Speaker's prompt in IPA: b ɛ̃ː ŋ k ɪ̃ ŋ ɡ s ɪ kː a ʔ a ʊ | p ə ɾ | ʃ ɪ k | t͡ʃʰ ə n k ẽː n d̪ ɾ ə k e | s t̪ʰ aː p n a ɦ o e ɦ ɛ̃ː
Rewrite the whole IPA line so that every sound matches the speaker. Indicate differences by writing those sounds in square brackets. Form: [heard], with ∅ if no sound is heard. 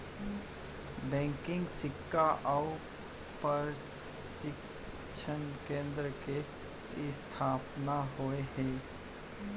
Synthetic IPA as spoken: b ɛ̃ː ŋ k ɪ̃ ŋ ɡ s ɪ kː a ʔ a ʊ | p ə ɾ | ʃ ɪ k | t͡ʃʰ ə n k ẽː n d̪ ɾ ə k e | s t̪ʰ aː p n a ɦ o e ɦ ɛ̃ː